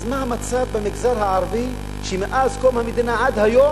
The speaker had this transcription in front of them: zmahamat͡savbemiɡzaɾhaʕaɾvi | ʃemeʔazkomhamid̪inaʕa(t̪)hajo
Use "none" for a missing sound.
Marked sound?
d̪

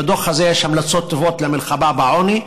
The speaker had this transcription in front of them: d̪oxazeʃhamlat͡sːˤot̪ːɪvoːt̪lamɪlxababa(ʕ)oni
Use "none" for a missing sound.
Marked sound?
ʕ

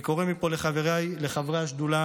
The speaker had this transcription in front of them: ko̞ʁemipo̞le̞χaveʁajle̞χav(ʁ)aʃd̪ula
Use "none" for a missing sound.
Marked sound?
ʁ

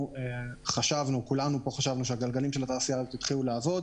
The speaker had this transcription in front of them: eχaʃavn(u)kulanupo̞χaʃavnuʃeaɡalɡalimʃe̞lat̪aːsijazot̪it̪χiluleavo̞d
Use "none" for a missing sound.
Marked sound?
u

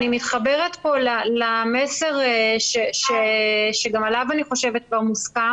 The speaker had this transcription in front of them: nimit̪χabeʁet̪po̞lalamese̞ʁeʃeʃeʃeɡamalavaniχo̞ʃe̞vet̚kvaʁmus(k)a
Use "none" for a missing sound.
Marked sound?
k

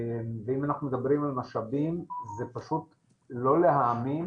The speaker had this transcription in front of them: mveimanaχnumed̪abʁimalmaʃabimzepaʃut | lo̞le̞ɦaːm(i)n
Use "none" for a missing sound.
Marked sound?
i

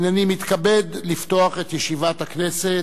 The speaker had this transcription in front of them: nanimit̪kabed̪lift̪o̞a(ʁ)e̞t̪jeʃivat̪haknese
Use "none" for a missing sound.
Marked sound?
χ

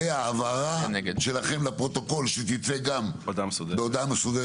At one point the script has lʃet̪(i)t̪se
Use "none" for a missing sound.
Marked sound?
i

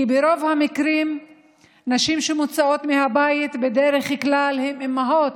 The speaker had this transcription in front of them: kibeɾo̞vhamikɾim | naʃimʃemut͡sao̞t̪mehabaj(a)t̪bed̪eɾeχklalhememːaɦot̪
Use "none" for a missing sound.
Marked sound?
i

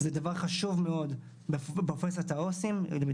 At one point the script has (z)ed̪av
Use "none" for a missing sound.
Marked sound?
z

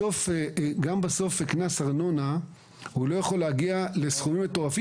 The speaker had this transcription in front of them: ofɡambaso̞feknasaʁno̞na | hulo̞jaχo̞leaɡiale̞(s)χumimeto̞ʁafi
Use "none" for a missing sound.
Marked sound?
s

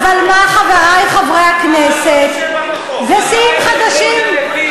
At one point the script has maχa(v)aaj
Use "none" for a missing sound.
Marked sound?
v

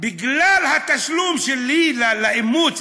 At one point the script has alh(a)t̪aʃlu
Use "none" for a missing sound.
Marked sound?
a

